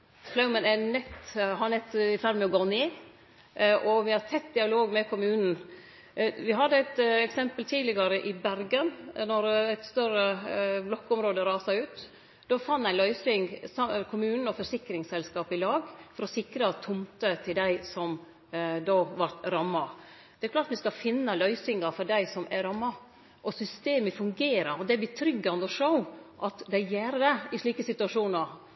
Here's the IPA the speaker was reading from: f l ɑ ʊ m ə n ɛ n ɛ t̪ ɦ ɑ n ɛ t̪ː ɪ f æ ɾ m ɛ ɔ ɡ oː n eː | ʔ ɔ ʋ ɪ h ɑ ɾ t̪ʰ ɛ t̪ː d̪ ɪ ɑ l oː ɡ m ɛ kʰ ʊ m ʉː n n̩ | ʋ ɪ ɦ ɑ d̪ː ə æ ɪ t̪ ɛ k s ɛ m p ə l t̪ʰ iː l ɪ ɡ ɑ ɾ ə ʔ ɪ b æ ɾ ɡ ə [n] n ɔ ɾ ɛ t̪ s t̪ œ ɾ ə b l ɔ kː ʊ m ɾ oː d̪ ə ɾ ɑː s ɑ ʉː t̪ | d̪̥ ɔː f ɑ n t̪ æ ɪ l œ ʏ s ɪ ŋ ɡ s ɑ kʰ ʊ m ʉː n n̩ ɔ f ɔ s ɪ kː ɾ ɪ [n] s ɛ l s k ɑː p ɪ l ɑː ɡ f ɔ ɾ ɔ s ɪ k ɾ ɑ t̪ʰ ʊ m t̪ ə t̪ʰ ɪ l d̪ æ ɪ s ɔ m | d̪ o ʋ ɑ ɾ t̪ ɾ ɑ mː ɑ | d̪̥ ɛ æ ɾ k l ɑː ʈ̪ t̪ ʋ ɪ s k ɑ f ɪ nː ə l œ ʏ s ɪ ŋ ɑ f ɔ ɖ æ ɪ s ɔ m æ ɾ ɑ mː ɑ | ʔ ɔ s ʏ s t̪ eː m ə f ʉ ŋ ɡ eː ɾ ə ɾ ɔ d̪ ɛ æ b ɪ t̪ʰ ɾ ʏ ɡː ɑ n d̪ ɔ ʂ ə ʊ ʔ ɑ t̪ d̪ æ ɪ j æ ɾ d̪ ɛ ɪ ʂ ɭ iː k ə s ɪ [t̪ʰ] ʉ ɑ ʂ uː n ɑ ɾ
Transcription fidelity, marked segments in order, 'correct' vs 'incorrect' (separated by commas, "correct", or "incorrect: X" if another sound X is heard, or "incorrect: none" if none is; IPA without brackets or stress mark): correct, incorrect: ŋ, incorrect: t̪